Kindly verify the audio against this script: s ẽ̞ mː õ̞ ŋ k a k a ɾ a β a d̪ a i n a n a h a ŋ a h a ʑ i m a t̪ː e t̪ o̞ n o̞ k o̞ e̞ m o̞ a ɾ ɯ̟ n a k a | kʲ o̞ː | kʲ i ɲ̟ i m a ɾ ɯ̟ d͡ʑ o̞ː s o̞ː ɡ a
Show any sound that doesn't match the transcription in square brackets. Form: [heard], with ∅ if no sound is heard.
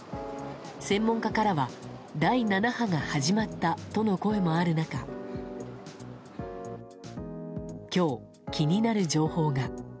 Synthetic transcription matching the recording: s ẽ̞ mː õ̞ ŋ k a k a ɾ a β a d̪ a i n a n a h a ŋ a h a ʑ i m a t̪ː [a] t̪ o̞ n o̞ k o̞ e̞ m o̞ a ɾ ɯ̟ n a k a | kʲ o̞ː | kʲ i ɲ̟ i [n] a ɾ ɯ̟ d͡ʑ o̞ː [h] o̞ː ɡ a

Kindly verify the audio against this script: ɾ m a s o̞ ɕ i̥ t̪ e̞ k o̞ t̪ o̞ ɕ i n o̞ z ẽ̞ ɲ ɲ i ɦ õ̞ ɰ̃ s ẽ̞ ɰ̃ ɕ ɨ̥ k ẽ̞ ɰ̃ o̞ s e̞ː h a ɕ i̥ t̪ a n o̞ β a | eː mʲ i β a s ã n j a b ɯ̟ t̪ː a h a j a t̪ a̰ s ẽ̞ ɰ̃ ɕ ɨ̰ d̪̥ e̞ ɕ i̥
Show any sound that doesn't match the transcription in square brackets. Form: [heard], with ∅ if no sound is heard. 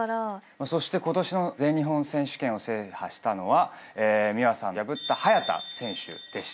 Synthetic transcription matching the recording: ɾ m a s o̞ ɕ i̥ t̪ e̞ k o̞ t̪ o̞ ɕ i n o̞ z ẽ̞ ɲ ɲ i ɦ õ̞ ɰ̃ s ẽ̞ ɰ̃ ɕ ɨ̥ k ẽ̞ ɰ̃ o̞ s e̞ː h a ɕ i̥ t̪ a n o̞ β a | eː mʲ i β a s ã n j a b ɯ̟ t̪ː a h a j a t̪ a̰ s ẽ̞ ɰ̃ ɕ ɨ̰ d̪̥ e̞ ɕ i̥

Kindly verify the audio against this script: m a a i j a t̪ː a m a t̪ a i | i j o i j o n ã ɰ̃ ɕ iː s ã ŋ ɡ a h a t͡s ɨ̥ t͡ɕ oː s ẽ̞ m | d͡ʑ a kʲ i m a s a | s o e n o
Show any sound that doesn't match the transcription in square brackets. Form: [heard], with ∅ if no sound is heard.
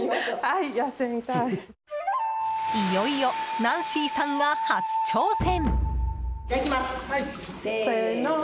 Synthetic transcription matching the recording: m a a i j a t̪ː [e] m [i] t̪ a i | i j o i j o n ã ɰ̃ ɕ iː s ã ŋ ɡ a h a t͡s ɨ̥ t͡ɕ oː s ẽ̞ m | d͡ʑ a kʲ i m a s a | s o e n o

